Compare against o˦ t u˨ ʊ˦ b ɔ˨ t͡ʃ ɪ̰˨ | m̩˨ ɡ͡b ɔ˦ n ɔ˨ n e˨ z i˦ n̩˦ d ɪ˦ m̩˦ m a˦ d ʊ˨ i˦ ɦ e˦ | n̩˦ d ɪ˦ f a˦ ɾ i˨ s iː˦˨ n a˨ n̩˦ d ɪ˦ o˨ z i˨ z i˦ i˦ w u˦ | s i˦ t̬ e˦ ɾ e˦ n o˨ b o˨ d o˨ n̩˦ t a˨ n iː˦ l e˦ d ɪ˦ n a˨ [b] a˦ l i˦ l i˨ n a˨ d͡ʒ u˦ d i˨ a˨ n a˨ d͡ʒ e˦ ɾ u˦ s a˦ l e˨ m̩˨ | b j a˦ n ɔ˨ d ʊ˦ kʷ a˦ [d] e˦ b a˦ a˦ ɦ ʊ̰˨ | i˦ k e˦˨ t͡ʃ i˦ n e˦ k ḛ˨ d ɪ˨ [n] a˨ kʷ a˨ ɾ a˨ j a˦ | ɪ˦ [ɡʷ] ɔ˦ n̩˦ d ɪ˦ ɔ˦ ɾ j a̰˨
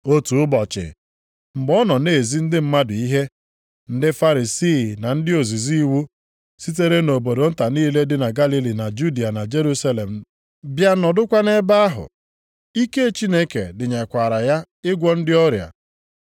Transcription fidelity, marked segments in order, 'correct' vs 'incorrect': incorrect, incorrect, incorrect, correct

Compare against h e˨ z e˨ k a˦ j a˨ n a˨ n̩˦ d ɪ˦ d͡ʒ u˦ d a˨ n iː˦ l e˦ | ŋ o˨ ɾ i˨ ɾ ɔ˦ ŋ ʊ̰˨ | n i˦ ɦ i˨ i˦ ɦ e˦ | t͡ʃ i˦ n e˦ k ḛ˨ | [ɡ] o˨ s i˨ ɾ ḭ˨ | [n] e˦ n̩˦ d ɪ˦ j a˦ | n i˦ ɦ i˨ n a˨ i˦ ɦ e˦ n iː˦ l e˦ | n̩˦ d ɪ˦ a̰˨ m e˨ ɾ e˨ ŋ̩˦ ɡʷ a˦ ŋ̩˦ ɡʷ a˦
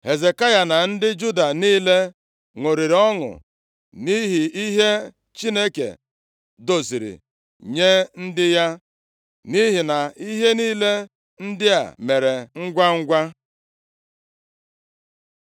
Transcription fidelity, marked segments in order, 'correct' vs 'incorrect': incorrect, incorrect

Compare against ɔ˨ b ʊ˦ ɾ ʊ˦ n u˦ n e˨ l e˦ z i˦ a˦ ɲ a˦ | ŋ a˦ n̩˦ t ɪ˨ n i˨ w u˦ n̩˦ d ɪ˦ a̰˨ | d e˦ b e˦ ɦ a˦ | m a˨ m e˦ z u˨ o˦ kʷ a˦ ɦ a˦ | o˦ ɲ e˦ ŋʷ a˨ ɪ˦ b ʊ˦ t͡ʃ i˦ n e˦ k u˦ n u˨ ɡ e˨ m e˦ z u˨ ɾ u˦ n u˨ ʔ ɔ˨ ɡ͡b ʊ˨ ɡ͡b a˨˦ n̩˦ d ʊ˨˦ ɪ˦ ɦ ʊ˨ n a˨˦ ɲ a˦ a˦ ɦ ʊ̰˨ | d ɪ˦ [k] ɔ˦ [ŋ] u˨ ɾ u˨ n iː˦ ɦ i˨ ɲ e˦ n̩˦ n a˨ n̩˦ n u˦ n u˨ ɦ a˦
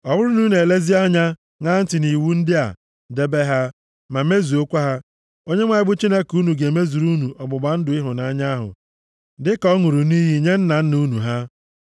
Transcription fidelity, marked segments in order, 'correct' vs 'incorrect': correct, correct

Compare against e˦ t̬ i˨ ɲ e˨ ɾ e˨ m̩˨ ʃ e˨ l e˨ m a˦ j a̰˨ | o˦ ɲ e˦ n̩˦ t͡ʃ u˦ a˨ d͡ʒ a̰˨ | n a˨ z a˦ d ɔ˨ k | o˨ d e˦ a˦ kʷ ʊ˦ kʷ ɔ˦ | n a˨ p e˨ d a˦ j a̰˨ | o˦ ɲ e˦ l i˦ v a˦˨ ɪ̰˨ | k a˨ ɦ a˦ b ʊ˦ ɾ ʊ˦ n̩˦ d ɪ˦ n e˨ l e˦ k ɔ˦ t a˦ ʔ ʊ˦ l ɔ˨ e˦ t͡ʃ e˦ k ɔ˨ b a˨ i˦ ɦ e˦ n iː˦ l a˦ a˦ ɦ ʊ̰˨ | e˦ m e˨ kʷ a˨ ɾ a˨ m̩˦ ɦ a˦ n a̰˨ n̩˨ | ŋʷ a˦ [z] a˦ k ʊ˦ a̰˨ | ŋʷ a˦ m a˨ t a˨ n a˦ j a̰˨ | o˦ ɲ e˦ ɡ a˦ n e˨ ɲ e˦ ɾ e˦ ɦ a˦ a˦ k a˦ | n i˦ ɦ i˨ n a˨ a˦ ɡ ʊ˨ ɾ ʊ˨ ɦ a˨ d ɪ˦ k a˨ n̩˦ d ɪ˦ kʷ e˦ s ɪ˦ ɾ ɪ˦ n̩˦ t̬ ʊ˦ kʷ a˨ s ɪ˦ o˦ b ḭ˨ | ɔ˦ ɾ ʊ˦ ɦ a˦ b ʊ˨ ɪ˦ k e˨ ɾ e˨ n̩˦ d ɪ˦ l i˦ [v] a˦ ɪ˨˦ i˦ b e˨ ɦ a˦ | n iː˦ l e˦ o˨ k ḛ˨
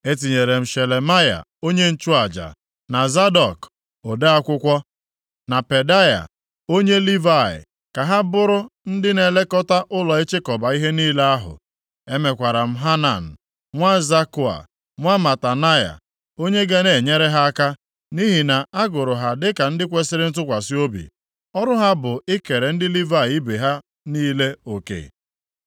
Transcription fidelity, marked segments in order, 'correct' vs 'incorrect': correct, correct

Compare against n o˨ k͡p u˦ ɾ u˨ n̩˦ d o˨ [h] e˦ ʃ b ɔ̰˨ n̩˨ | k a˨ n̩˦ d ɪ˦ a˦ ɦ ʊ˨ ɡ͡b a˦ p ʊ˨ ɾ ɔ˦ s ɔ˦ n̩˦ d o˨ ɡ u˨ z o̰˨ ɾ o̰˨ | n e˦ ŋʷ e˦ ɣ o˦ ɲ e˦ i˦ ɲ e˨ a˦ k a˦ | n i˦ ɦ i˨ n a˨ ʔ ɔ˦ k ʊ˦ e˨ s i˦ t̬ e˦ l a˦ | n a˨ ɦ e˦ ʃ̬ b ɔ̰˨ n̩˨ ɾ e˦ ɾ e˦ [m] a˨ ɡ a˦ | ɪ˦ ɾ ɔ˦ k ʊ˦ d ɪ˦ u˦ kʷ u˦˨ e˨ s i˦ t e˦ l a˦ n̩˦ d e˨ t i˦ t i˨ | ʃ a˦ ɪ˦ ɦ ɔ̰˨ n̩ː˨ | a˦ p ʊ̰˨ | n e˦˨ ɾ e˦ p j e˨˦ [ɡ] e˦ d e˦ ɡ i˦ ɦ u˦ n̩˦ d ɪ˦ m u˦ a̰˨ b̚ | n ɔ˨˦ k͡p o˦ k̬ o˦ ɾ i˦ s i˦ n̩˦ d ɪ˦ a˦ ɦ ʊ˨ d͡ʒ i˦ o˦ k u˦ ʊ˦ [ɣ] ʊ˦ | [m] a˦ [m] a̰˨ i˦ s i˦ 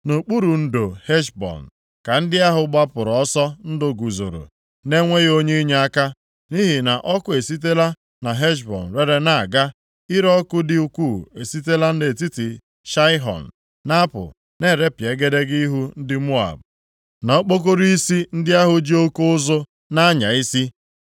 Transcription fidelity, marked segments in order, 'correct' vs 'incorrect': correct, incorrect, correct, incorrect, incorrect, incorrect

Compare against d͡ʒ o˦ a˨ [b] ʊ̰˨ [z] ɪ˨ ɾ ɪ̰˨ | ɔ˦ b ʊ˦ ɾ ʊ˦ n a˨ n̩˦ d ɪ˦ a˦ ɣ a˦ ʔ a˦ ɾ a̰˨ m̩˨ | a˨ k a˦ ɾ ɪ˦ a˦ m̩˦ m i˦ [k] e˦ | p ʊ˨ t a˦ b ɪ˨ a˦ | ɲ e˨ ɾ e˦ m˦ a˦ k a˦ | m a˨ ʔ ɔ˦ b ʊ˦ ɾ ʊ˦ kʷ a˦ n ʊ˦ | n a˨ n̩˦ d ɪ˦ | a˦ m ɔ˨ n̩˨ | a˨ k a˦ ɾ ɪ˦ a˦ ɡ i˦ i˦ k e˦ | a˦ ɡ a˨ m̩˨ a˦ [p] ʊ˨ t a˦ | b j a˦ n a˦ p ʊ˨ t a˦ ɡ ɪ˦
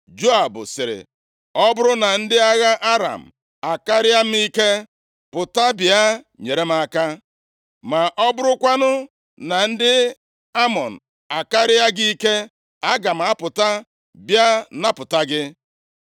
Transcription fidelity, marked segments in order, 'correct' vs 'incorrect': correct, incorrect, correct, correct

